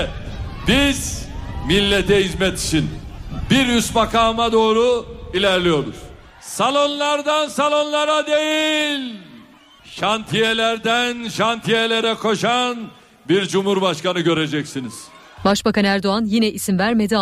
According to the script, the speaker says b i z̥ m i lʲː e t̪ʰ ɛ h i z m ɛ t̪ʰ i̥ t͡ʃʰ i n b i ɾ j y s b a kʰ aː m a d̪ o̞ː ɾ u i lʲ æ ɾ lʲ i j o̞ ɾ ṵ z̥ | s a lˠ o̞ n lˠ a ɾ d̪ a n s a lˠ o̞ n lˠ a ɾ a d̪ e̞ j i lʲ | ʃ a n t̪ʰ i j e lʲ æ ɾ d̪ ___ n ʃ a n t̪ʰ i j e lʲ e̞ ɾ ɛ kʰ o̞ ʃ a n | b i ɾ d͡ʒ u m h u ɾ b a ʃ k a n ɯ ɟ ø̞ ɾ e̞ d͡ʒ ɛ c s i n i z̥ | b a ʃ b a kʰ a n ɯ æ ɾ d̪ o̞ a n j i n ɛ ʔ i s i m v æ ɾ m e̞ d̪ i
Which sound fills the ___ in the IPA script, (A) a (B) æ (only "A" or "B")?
B